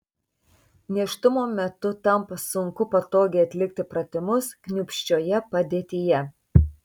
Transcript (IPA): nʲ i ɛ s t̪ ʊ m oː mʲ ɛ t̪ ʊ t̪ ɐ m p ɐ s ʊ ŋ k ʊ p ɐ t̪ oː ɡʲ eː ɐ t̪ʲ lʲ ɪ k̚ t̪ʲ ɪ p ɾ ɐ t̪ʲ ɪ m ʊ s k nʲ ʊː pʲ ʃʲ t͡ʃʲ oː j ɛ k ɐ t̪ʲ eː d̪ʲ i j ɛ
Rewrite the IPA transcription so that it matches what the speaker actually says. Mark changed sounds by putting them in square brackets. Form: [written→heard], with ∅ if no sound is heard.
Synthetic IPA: nʲ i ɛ [s→ʃ] t̪ ʊ m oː mʲ ɛ t̪ ʊ t̪ ɐ m p ɐ s ʊ ŋ k ʊ p ɐ t̪ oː ɡʲ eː ɐ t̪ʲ lʲ ɪ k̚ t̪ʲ ɪ p ɾ ɐ t̪ʲ ɪ m ʊ s k nʲ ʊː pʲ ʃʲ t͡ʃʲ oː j ɛ [k→p] ɐ [t̪ʲ→d̪ʲ] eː [d̪ʲ→t̪ʲ] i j ɛ